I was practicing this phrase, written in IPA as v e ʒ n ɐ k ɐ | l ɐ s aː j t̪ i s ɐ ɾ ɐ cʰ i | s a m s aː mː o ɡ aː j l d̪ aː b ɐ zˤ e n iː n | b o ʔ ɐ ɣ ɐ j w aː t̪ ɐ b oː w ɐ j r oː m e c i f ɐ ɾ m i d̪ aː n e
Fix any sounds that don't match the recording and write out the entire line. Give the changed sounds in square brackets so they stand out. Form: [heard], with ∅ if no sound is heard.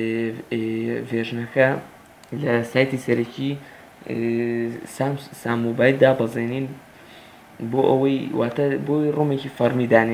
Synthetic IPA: v e ʒ n ɐ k ɐ | l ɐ s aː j t̪ i s ɐ ɾ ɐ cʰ i | s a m s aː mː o [b] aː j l d̪ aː b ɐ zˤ e n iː n | b o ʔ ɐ [w] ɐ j w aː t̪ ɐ b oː w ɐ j r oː m e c i f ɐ ɾ m i d̪ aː n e

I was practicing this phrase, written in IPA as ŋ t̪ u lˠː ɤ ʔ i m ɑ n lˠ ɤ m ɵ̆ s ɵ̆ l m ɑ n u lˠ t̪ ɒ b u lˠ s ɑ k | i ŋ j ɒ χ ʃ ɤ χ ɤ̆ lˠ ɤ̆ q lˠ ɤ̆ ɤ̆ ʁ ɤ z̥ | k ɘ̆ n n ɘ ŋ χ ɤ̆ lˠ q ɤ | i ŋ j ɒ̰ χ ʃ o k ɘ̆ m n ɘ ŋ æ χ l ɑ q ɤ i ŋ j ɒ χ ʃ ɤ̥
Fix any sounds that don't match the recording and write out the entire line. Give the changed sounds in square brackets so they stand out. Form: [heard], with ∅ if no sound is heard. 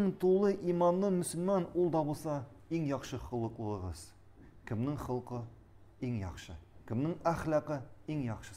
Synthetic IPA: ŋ t̪ u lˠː ɤ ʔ i m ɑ n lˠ ɤ m ɵ̆ s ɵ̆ l m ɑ n u lˠ [d̪] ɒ b u lˠ s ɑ [∅] | i ŋ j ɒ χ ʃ ɤ χ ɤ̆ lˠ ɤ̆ q lˠ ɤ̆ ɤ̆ ʁ ɤ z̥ | k ɘ̆ [m] n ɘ ŋ χ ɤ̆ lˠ q ɤ | i ŋ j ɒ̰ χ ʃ [ɤ] k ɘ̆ m n ɘ ŋ æ χ l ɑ q ɤ i ŋ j ɒ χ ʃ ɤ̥

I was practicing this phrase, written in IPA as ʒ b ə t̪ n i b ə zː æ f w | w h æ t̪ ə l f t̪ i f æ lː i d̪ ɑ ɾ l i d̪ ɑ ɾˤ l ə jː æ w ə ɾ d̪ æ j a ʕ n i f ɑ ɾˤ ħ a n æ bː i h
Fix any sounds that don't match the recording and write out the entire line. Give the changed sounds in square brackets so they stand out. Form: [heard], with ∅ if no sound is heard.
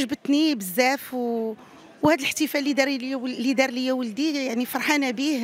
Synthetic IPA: ʒ b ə t̪ n i b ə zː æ f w | w h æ [d̪] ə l [ħ] t̪ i f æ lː i d̪ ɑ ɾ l i d̪ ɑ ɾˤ l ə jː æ w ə [l] d̪ [i] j a ʕ n i f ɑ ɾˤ ħ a n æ [b] i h

